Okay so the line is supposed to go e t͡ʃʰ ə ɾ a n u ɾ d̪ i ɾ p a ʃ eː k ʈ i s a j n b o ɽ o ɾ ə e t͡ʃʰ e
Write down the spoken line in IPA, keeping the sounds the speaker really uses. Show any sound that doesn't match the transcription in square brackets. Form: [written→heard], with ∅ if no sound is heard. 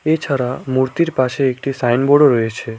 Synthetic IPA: e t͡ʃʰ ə ɾ a [n→m] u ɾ [d̪→t̪] i ɾ p a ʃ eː k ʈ i s a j n b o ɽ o ɾ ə e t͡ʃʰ e